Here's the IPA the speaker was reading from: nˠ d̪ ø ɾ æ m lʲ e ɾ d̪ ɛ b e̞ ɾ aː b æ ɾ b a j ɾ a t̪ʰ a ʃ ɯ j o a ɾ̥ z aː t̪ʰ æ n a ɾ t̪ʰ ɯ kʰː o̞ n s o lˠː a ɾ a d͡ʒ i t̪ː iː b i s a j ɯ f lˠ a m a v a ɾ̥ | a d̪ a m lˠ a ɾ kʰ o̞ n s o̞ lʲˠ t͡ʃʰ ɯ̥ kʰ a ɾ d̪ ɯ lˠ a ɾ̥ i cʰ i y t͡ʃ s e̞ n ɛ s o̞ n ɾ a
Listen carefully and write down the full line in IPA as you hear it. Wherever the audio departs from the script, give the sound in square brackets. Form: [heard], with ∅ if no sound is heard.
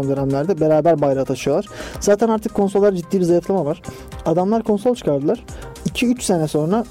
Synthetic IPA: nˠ d̪ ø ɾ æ m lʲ [æ] ɾ d̪ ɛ b e̞ ɾ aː b æ ɾ b a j ɾ a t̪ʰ a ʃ ɯ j o a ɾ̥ z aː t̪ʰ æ n a ɾ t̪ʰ ɯ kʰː o̞ n s o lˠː a ɾ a d͡ʒ i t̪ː iː b i [z] a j ɯ f lˠ a m a v a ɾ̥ | a d̪ a m lˠ a ɾ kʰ o̞ n s o̞ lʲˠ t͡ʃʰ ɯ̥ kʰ a ɾ d̪ ɯ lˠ a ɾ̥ i cʰ i y t͡ʃ s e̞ n ɛ s o̞ n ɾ a